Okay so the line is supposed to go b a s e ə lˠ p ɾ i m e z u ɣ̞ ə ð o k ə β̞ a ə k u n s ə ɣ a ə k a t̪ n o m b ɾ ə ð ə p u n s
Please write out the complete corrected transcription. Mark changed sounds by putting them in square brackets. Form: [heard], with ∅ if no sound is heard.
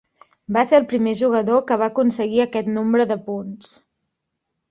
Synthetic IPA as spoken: b a s e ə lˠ p ɾ i m e [ʒ] u ɣ̞ ə ð o k ə β̞ a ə k u n s ə ɣ [i] ə k [ɛ] t̪ n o m b ɾ ə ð ə p u n s